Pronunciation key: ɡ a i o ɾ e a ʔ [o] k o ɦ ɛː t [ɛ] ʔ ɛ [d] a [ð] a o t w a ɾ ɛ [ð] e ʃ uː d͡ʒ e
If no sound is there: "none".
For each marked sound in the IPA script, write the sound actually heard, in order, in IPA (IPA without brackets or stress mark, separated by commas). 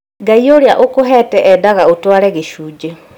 o, ɛ, d, ɣ, ɣ